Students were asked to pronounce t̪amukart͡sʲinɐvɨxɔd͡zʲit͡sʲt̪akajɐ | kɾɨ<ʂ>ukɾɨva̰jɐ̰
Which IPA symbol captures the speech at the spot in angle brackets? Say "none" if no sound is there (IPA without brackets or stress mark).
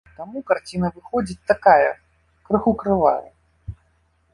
x